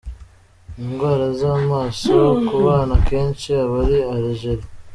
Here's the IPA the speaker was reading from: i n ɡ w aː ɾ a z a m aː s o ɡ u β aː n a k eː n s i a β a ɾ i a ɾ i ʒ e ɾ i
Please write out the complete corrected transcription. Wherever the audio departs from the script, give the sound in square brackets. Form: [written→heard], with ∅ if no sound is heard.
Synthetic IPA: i [n→ŋ] ɡ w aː ɾ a z a m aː s o [ɡ→k] u β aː n a k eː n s i a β a ɾ i a ɾ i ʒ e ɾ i